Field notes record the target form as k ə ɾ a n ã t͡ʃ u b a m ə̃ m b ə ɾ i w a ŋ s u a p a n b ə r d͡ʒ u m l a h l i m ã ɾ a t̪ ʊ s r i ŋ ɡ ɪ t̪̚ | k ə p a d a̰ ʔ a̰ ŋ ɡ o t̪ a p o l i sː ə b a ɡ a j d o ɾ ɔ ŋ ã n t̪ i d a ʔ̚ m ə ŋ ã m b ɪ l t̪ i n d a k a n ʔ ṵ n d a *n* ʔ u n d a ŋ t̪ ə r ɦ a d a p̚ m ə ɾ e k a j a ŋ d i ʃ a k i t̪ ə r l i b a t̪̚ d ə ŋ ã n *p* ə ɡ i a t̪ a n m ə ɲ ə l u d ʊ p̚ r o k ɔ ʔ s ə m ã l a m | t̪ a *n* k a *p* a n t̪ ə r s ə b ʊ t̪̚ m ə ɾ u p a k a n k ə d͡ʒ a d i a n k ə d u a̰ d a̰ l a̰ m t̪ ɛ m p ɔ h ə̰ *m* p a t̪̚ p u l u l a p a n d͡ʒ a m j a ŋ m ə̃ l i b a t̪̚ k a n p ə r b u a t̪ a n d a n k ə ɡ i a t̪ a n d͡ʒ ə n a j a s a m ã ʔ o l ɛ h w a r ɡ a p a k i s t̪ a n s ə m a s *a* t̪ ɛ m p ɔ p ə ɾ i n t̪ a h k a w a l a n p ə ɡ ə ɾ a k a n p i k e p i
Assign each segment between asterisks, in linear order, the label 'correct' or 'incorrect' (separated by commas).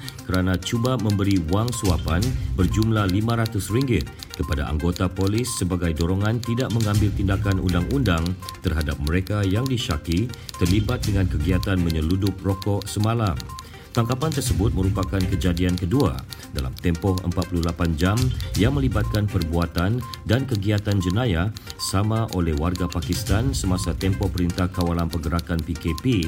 incorrect, incorrect, incorrect, correct, correct, correct